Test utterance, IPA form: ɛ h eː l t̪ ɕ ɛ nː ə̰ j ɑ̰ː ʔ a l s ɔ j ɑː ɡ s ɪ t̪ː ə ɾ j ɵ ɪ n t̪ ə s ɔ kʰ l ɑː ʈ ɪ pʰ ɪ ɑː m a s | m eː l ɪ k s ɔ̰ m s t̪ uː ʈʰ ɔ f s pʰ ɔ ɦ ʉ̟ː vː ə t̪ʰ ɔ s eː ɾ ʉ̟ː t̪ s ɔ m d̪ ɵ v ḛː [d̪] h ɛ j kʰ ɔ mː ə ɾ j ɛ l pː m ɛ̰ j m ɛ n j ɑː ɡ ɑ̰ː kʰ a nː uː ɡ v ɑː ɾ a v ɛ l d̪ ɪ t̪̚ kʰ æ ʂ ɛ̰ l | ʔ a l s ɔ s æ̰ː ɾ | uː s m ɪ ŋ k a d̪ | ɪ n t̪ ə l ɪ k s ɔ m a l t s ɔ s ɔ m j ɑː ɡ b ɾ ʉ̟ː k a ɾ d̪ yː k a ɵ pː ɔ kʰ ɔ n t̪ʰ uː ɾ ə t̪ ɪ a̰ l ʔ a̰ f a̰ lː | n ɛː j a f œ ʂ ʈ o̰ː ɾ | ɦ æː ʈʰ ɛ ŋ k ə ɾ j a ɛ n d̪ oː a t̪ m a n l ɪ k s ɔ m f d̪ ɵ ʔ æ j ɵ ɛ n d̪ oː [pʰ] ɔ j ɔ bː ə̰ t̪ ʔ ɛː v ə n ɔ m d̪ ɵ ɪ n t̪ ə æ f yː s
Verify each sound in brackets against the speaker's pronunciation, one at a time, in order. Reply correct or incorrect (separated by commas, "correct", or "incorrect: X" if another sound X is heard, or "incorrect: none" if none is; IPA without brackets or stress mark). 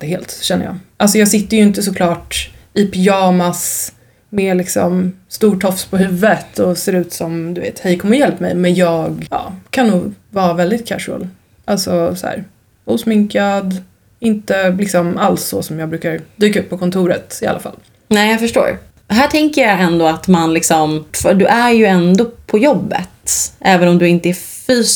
incorrect: t̪, correct